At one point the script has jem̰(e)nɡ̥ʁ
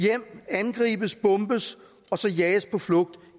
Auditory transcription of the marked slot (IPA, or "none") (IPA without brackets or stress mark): æ